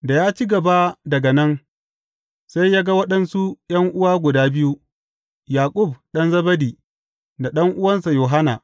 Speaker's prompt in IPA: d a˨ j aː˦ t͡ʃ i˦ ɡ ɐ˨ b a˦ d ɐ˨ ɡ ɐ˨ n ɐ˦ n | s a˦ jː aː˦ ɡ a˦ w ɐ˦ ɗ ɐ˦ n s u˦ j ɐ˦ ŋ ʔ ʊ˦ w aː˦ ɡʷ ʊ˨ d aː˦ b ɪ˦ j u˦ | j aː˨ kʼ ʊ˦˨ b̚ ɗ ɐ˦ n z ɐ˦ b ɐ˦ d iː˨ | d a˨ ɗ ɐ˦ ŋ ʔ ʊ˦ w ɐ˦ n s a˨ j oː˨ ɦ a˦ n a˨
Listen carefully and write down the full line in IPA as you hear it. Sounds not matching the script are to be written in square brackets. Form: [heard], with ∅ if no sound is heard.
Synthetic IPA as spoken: d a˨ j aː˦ t͡ʃ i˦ ɡ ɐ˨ b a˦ d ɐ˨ ɡ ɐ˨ n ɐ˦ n | s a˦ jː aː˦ ɡ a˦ w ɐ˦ ɗ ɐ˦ n s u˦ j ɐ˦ ŋ ʔ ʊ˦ w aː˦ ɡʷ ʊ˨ d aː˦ b ɪ˦ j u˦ | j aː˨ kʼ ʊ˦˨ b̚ ɗ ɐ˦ n z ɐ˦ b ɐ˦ d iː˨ | d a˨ ɗ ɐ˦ ŋ ʔ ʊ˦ w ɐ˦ n s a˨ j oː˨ ɦ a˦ n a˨